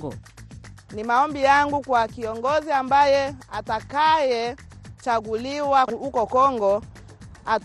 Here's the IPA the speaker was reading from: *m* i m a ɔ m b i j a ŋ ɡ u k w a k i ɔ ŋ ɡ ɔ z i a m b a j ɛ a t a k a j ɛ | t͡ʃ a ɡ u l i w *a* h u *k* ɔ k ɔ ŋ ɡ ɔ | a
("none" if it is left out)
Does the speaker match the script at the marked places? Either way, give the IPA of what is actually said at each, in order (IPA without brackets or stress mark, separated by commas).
n, a, k